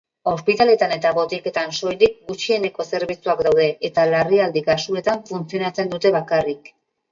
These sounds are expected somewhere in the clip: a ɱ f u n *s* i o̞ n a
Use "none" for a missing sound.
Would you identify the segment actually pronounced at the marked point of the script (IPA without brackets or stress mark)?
t͡s